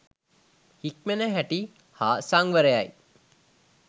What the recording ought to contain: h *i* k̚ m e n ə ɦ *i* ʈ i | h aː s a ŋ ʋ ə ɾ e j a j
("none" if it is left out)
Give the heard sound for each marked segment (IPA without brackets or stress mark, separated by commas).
i, æ